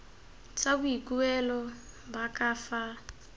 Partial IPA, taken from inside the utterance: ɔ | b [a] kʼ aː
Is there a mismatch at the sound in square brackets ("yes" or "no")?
no